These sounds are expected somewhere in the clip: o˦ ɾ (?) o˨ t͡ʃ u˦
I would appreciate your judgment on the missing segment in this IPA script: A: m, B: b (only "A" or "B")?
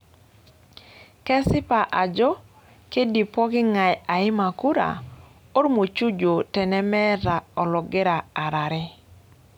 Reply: A